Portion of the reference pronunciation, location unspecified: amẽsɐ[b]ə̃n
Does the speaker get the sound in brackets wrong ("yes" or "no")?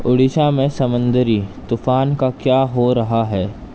yes